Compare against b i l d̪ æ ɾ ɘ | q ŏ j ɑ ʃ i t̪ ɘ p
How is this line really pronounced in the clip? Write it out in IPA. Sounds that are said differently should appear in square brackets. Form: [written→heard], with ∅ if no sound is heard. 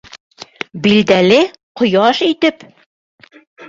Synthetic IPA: b i l d̪ æ [ɾ→l] ɘ | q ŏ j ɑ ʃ i t̪ ɘ p